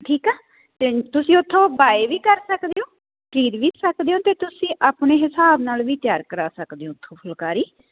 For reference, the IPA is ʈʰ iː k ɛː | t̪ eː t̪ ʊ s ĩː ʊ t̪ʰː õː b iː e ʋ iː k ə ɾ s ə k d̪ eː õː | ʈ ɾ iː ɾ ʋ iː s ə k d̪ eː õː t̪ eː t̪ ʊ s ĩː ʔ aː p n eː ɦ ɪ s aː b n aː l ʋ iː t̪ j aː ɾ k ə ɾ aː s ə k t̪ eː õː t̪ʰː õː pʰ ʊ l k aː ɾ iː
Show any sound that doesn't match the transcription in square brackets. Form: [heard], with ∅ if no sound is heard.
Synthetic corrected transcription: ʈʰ iː k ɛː | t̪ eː t̪ ʊ s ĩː ʊ t̪ʰː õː b [aː] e ʋ iː k ə ɾ s ə k d̪ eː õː | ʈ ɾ iː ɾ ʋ iː s ə k d̪ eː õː t̪ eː t̪ ʊ s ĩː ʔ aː p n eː ɦ ɪ s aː b n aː l ʋ iː t̪ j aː ɾ k ə ɾ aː s ə k [d̪] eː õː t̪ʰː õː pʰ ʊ l k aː ɾ iː